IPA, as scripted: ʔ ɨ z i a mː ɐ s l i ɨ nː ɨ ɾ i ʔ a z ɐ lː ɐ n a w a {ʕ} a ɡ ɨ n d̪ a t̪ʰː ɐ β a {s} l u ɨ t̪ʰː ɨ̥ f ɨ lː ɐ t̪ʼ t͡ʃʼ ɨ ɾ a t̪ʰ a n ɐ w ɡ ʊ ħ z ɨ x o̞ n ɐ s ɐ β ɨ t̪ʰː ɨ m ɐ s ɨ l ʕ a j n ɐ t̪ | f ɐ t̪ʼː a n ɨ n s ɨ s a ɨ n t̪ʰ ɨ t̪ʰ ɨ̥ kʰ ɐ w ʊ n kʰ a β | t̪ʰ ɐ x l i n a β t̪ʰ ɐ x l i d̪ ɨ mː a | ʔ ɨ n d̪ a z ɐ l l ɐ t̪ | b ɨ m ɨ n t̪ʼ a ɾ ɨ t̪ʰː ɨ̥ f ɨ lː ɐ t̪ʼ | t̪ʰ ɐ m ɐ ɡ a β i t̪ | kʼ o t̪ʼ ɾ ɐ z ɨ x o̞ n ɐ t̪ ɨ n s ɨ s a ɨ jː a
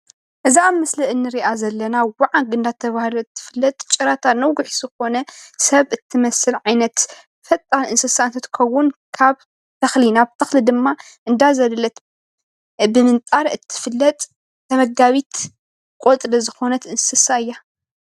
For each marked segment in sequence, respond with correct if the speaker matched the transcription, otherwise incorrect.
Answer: correct, incorrect: h

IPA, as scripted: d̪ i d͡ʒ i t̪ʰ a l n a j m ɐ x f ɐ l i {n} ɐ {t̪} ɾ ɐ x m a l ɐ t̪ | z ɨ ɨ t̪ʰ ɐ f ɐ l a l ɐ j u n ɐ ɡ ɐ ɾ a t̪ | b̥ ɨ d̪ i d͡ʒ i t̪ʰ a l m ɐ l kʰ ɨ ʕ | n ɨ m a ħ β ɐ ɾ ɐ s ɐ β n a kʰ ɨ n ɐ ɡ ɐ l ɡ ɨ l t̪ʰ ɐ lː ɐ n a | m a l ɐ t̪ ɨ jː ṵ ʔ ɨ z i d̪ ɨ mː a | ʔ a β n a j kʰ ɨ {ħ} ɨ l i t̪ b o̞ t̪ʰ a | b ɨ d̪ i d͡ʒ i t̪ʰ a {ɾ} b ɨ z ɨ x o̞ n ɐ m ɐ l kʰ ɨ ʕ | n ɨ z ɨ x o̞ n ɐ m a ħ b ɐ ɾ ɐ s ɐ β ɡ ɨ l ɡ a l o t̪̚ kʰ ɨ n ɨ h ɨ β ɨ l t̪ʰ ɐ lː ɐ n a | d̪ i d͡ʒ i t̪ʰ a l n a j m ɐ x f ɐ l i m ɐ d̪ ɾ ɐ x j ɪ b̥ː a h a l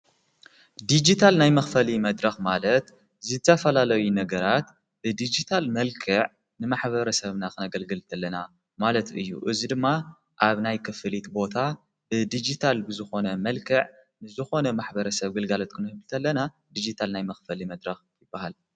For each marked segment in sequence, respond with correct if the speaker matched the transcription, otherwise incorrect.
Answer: incorrect: m, incorrect: d̪, incorrect: f, incorrect: l

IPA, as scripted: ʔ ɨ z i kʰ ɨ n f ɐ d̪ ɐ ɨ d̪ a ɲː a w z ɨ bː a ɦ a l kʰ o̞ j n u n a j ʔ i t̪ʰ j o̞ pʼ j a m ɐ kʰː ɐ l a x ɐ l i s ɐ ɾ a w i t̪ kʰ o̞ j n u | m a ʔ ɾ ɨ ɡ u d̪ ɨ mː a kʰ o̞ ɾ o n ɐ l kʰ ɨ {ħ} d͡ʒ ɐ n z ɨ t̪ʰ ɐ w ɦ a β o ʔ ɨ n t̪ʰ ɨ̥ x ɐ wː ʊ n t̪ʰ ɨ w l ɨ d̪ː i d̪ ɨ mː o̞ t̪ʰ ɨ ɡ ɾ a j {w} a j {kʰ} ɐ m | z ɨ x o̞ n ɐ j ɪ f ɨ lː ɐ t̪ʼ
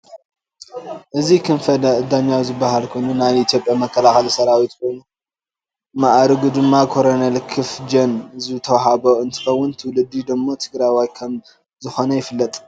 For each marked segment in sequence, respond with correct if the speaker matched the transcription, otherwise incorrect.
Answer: incorrect: f, correct, correct

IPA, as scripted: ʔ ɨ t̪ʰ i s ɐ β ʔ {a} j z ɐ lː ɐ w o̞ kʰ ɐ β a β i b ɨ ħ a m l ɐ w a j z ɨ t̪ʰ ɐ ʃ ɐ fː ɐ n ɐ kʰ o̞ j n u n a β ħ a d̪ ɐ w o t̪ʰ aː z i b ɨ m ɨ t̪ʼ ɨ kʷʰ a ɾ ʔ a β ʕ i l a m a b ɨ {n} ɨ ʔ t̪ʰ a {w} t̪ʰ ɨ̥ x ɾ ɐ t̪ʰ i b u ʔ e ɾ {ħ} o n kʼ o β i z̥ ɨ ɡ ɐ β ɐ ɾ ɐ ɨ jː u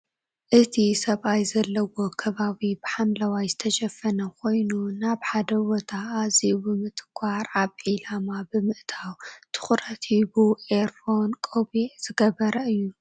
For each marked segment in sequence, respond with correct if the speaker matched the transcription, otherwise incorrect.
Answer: correct, incorrect: m, correct, incorrect: f

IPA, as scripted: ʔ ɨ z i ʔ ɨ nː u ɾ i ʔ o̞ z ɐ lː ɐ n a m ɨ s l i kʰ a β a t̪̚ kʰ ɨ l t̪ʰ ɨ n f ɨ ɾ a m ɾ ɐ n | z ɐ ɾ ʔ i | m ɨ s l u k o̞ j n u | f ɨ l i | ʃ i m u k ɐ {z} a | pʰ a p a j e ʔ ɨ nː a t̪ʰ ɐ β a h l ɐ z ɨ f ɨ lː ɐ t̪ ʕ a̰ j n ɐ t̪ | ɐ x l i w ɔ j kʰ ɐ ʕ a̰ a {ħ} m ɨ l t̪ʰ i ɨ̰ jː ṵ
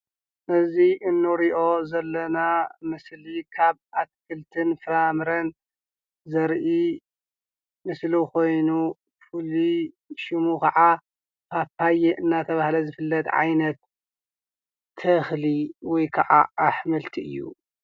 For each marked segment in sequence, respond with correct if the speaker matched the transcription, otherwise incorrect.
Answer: incorrect: ʕ, correct

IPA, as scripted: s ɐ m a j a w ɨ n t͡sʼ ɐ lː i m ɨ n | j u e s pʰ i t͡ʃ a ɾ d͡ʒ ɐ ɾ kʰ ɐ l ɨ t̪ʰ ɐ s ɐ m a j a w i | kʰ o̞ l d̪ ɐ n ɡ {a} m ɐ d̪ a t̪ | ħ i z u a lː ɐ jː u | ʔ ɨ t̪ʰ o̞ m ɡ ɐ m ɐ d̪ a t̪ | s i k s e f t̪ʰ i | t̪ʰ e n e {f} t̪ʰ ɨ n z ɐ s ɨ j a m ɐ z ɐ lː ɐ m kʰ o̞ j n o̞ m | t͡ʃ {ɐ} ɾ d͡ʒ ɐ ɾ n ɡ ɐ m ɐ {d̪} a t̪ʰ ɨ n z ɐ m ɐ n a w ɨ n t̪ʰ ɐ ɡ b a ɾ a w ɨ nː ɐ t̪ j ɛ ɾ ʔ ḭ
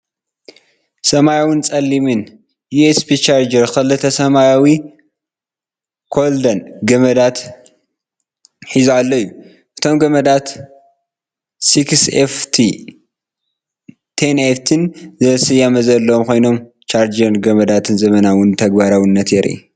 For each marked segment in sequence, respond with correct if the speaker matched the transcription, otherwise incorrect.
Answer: incorrect: ɐ, correct, incorrect: a, correct

